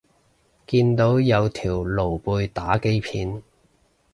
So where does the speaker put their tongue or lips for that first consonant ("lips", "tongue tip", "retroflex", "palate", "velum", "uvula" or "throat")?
velum